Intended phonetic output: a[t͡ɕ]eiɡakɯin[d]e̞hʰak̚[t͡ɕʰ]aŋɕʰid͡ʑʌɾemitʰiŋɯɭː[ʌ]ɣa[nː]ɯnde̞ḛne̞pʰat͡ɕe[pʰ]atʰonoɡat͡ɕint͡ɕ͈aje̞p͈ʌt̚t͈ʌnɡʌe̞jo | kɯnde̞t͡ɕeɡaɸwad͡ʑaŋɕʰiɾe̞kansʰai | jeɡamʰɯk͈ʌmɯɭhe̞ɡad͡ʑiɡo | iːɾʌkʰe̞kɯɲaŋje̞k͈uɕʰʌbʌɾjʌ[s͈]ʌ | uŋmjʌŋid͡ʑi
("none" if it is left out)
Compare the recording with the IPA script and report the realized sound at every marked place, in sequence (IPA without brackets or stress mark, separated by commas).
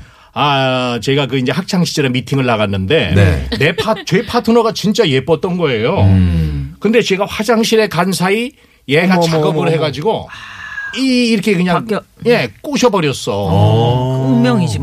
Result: t͡ɕ, d͡ʑ, t͡ɕʰ, a, nː, pʰ, s͈